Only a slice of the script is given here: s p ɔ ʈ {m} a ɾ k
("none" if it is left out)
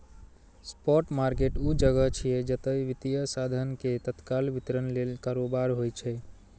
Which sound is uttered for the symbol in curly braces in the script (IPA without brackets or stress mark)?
m